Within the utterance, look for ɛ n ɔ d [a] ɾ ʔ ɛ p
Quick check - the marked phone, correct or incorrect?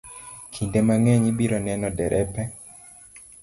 incorrect